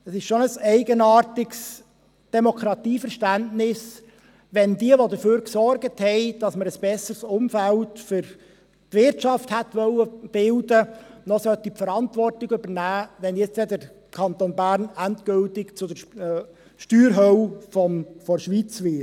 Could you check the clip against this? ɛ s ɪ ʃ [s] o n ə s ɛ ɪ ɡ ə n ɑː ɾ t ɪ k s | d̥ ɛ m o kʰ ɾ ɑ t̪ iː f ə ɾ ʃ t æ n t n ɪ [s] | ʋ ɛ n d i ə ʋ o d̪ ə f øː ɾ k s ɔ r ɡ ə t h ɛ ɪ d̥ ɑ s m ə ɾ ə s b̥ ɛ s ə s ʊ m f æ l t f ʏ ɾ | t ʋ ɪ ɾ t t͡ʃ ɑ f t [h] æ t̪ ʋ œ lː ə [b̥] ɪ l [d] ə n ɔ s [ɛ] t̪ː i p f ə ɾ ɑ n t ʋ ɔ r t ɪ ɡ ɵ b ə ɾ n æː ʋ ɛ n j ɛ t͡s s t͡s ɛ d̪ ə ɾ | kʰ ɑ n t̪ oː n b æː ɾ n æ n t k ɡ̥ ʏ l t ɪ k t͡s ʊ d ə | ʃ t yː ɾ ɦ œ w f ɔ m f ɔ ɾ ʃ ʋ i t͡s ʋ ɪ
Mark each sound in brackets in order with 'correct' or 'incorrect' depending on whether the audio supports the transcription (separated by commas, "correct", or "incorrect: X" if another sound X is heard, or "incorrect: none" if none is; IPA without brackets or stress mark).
incorrect: ʃ, correct, correct, correct, correct, incorrect: œ